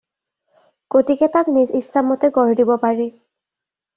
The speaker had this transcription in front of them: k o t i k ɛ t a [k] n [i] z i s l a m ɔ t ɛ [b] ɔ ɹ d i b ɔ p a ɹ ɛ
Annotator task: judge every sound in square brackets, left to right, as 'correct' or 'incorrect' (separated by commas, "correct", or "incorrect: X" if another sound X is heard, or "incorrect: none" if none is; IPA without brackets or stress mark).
correct, correct, incorrect: ɡ